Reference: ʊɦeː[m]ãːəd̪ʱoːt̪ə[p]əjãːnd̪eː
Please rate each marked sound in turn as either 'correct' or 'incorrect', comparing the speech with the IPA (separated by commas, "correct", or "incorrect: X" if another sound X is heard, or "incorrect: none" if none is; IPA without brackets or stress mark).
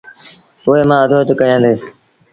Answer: correct, incorrect: k